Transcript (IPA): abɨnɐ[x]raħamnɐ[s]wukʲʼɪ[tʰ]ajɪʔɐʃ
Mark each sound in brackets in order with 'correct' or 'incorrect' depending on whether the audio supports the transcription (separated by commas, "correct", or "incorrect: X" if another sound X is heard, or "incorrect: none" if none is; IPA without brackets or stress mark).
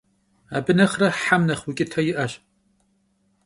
incorrect: χ, incorrect: χ, correct